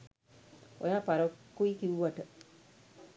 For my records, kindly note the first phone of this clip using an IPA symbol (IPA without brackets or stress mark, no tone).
o